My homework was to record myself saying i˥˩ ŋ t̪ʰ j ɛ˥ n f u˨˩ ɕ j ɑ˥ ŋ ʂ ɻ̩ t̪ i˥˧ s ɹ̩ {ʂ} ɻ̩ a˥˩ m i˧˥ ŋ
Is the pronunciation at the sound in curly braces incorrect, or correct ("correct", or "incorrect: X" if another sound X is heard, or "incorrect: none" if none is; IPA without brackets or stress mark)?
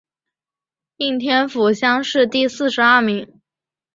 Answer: correct